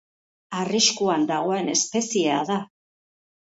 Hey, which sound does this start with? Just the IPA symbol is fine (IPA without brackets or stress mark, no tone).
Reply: a